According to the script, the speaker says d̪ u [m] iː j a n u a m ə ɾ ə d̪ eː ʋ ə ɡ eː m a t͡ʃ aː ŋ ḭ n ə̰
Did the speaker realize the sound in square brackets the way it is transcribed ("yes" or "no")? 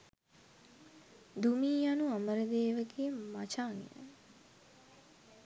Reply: yes